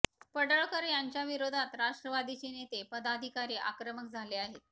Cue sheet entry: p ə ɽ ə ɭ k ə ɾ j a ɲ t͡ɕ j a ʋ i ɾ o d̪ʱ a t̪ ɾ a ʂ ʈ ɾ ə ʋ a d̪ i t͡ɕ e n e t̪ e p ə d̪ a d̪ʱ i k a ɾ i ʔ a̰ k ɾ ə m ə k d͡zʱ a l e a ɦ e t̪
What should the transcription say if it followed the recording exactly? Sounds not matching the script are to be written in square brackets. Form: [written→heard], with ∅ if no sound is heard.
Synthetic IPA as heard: p ə ɽ ə ɭ k ə ɾ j a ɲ t͡ɕ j a ʋ i ɾ o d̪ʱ a t̪ ɾ a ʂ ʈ ɾ ə ʋ a d̪ i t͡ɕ e n e t̪ e p ə d̪ a d̪ʱ i k a ɾ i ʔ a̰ k ɾ ə m ə k d͡zʱ a l e a ɦ e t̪